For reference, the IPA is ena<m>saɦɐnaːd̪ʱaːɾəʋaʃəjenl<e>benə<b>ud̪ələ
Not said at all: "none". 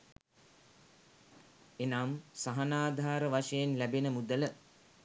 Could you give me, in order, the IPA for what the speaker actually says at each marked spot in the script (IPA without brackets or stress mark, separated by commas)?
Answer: m, æ, m